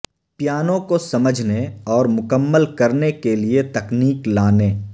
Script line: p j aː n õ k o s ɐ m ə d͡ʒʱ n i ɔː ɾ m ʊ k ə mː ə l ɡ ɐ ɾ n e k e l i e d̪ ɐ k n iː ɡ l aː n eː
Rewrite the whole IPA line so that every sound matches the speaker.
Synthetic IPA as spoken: p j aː n õ k o s ɐ m ə d͡ʒʱ n e ɔː ɾ m ʊ k ə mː ə l k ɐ ɾ n e k e l i e t̪ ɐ k n iː k l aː n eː